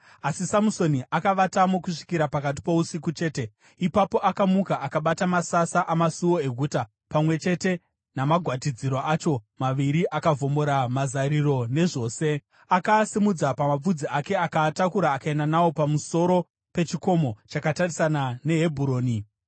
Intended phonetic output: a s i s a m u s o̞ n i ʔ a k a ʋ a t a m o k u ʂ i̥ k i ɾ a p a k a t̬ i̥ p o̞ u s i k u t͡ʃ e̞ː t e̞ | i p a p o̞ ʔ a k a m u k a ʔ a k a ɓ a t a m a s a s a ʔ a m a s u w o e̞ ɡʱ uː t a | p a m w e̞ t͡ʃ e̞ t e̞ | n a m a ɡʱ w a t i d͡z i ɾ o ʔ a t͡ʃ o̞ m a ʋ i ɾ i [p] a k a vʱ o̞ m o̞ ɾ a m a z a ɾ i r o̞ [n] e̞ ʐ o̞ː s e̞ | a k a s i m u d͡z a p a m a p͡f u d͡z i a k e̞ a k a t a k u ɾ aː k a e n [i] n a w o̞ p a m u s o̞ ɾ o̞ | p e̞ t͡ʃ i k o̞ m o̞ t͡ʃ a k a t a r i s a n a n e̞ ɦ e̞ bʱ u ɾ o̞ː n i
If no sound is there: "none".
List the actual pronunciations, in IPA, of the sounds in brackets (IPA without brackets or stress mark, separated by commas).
ʔ, n, a